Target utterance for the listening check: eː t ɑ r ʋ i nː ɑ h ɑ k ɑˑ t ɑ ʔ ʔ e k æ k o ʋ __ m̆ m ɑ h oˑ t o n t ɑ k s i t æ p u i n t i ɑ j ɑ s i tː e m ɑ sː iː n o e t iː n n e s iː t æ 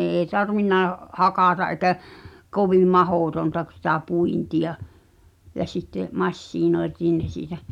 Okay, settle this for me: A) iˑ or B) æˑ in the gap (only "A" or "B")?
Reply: A